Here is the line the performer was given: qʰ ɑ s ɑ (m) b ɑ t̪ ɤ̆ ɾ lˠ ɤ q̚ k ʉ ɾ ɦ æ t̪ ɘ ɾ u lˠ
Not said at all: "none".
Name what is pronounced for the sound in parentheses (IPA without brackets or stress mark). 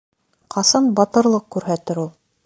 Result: n